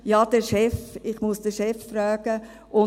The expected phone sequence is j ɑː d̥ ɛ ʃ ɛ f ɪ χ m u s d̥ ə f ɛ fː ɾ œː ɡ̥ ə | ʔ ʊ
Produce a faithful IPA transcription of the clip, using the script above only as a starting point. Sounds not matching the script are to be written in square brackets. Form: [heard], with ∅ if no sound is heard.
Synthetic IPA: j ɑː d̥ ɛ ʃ ɛ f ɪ χ m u s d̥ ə [ʃ] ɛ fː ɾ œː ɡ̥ ə | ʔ ʊ